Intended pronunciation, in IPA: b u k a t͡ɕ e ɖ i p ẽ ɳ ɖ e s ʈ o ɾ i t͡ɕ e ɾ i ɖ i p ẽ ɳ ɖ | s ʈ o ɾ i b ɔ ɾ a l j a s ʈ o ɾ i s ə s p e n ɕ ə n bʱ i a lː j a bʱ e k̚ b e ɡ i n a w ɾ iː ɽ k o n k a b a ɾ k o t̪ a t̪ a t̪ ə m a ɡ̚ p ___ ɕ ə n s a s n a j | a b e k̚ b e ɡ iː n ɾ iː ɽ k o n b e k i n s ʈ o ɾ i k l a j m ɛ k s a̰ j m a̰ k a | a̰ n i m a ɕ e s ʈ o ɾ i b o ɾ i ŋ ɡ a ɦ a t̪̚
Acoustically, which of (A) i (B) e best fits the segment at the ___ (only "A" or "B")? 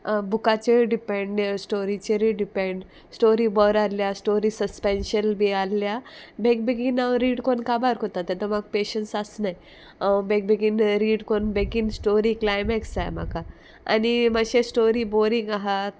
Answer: B